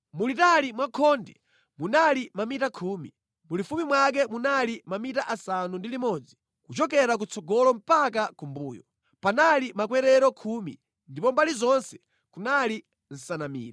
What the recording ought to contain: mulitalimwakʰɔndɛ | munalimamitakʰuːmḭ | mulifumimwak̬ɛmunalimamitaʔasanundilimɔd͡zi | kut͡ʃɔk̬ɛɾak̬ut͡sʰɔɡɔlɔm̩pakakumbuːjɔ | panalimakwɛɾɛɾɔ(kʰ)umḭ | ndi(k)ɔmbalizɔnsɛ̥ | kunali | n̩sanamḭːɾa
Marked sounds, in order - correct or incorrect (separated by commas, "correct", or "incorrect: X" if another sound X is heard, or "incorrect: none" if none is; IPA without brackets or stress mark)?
correct, incorrect: p